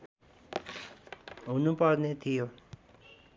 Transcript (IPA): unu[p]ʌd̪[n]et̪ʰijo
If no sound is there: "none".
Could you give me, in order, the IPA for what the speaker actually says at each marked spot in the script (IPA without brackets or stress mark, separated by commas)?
p, n